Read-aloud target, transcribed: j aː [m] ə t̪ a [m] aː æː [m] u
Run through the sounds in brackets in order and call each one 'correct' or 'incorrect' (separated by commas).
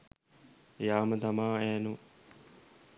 correct, correct, incorrect